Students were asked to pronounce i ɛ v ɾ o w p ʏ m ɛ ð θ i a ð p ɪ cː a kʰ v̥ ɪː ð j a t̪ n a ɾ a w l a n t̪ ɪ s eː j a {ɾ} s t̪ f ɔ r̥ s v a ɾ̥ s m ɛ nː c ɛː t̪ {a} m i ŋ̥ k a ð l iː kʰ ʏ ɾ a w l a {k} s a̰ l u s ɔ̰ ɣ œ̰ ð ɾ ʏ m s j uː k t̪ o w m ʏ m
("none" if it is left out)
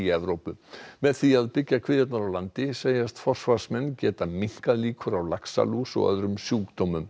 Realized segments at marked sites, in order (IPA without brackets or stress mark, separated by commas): none, a, k